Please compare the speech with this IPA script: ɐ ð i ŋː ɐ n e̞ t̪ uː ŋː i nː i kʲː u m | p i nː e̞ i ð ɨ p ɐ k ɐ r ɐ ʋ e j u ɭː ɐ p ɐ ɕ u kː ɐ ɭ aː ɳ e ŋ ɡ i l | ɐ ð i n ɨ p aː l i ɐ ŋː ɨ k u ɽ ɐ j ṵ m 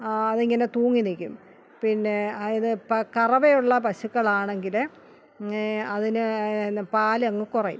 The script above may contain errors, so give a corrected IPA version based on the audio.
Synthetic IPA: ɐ ð i ŋː ɐ n e̞ t̪ uː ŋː i n i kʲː u m | p i nː e̞ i ð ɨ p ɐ k ɐ r ɐ ʋ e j u ɭː ɐ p ɐ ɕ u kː ɐ ɭ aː ɳ e ŋ ɡ i l | ɐ ð i n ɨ p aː l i ɐ ŋː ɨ k u r ɐ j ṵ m